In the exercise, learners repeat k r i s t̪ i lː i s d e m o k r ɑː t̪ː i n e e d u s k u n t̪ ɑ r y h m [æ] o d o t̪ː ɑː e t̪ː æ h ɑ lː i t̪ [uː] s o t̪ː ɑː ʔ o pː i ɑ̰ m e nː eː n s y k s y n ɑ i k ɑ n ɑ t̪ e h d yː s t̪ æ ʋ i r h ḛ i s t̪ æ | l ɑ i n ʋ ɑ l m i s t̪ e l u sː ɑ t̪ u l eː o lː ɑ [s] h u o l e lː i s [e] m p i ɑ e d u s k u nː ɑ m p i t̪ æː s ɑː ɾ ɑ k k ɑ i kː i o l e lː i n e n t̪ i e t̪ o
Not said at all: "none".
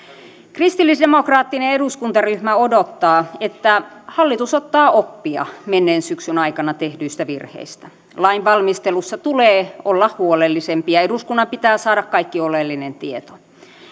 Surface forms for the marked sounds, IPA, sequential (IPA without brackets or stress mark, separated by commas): æ, u, h, e